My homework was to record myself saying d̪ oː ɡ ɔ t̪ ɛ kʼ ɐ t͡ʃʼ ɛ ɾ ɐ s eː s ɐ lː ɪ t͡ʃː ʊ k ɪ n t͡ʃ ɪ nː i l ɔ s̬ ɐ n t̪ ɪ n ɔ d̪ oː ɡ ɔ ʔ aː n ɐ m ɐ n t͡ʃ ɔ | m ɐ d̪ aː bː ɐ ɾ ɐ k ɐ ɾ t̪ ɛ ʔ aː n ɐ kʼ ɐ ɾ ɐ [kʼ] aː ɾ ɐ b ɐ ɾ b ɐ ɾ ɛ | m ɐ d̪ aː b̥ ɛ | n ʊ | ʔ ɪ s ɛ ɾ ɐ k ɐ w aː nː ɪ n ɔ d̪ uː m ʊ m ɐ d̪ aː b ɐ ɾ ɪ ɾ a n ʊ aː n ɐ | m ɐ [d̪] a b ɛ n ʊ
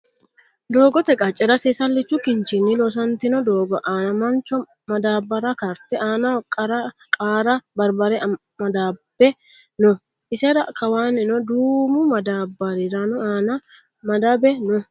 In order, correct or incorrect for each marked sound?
correct, correct

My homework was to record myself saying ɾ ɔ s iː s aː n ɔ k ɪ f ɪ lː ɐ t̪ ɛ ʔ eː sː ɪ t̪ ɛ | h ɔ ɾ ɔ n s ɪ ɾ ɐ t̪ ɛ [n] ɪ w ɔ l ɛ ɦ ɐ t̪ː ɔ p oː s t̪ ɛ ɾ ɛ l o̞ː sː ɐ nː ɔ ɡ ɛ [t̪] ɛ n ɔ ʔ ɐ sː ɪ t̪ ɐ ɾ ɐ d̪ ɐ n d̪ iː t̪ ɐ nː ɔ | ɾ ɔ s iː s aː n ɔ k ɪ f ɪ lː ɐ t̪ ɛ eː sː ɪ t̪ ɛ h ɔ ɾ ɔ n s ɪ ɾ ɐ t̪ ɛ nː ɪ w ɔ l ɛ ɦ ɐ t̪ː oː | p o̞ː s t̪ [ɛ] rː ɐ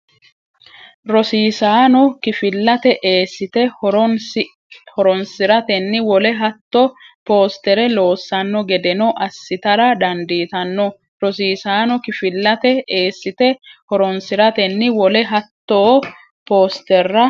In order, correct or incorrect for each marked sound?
incorrect: nː, incorrect: d̪, correct

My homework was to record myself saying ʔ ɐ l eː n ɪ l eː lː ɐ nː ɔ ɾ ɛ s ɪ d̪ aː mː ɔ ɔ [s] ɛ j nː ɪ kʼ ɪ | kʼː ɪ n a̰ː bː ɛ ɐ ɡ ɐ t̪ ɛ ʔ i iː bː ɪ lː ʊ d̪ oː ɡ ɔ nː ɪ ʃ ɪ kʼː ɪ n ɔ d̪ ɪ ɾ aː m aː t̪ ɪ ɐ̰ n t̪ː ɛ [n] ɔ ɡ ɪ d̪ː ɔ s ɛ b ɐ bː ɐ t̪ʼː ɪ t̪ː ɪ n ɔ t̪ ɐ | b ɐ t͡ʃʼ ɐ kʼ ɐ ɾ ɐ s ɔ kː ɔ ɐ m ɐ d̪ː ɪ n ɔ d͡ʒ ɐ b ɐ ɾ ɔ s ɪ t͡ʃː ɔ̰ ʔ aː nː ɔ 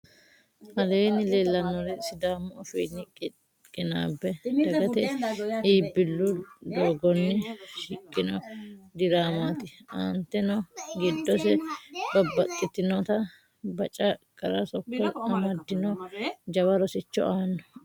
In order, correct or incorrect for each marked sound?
incorrect: f, correct

